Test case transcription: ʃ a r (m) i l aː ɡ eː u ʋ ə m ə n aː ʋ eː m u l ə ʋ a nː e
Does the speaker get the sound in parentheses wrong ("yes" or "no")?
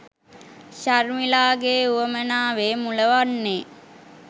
no